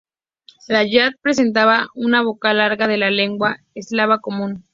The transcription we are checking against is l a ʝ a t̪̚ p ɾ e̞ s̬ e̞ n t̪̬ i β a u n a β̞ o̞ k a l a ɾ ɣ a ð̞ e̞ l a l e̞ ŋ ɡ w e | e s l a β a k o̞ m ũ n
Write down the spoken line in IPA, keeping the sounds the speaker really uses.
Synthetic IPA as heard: l a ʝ a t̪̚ p ɾ e̞ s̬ e̞ n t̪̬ a β a u n a β̞ o̞ k a l a ɾ ɣ a ð̞ e̞ l a l e̞ ŋ ɡ w a | e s l a β a k o̞ m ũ n